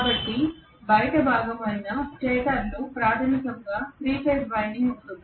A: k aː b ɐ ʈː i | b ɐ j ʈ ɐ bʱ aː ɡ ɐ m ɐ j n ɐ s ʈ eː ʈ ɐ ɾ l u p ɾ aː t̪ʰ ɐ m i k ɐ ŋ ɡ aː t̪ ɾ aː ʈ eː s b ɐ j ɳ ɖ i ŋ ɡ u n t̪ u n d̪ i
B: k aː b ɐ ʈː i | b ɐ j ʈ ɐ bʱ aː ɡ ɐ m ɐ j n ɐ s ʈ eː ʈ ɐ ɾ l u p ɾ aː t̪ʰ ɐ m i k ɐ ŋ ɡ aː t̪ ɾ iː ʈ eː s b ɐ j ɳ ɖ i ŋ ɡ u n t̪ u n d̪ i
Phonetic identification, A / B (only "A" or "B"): B